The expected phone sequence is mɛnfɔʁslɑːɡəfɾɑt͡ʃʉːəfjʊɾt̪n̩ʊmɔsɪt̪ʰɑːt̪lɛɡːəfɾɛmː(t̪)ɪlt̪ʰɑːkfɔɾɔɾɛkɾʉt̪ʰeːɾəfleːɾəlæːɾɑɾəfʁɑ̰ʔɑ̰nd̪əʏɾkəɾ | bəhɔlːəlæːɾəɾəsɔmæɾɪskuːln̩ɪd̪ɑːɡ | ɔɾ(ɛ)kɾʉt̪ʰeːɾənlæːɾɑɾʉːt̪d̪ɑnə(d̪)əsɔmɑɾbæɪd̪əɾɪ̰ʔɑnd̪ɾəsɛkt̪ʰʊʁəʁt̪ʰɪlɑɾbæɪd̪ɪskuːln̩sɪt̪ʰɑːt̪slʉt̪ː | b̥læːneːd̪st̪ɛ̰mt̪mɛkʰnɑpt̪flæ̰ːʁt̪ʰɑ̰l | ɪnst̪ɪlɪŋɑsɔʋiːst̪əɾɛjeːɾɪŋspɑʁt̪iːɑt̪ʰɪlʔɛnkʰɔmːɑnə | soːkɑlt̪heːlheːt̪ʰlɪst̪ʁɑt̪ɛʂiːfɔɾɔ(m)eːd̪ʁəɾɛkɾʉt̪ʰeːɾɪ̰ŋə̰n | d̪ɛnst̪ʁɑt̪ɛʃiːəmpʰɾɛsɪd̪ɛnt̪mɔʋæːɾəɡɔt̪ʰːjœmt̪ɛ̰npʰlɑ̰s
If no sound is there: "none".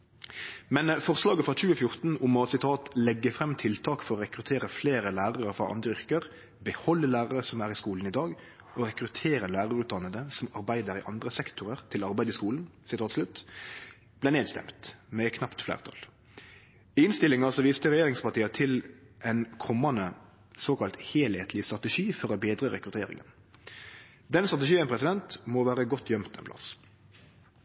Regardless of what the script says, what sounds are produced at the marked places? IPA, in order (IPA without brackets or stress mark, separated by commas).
t̪ʰ, ɛ, d̪, b